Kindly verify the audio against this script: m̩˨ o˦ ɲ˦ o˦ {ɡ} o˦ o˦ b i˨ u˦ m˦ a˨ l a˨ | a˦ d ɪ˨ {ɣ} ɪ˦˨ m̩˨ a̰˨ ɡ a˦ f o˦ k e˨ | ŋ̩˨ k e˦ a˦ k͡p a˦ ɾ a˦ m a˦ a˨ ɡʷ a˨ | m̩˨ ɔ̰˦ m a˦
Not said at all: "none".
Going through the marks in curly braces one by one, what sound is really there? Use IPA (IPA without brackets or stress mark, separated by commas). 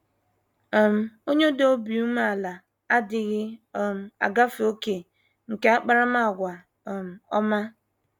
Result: d, ɣ